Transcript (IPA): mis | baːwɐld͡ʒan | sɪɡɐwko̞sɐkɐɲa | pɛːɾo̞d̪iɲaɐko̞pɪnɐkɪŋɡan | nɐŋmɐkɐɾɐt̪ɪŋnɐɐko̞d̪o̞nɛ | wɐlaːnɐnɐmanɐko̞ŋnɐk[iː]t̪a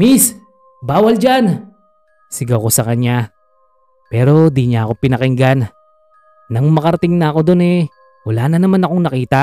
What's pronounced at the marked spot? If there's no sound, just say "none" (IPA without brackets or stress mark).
iː